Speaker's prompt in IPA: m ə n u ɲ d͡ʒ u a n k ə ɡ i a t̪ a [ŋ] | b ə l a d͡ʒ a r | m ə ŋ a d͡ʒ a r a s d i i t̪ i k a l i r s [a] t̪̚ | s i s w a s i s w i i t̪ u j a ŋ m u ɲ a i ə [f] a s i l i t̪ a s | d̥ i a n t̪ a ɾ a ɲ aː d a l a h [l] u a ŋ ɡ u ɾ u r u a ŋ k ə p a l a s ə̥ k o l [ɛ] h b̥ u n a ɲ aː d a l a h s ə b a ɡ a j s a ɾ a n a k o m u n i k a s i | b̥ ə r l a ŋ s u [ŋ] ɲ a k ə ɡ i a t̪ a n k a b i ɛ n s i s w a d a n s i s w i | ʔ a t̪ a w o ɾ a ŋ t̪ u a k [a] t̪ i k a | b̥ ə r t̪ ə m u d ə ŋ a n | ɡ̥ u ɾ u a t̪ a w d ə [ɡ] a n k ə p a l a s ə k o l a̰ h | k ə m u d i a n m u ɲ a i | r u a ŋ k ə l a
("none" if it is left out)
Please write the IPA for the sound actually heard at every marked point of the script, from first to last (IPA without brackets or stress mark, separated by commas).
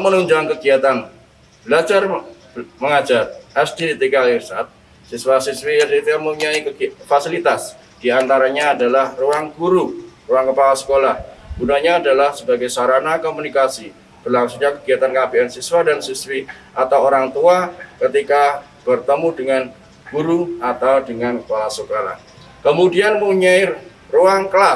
n, a, f, r, a, ŋ, ə, ŋ